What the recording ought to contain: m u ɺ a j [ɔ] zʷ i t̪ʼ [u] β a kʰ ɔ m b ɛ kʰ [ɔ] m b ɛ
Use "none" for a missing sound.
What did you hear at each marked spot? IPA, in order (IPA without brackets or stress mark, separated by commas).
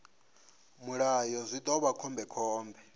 ɔ, ɔ, ɔː